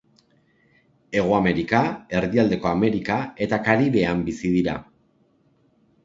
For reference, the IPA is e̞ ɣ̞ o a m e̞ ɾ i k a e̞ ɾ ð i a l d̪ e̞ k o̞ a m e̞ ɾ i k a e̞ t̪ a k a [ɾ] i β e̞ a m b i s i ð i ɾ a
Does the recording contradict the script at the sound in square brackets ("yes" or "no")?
no